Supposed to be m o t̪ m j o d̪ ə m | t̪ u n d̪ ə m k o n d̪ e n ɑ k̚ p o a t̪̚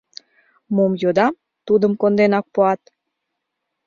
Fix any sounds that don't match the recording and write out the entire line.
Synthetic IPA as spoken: m o m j o d̪ ɑ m | t̪ u d̪ ə m k o n d̪ e n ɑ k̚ p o ɑ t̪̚